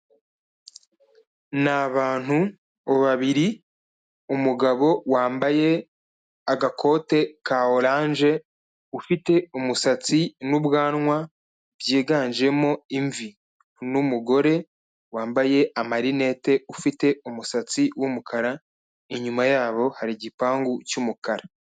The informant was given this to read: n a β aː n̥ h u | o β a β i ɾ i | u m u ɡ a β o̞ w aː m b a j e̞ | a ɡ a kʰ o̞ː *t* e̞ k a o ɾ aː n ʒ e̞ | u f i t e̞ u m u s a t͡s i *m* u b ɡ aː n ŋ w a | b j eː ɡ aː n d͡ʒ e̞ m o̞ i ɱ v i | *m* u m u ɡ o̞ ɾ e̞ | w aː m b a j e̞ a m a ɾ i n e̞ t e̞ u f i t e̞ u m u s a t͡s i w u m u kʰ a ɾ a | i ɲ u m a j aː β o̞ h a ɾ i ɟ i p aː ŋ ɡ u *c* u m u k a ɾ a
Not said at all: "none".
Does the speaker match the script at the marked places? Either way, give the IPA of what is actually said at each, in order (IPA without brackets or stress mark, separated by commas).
t, n, n, c